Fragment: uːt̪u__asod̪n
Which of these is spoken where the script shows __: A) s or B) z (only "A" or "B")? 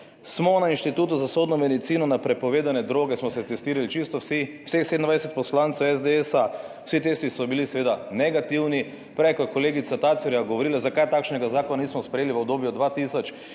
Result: B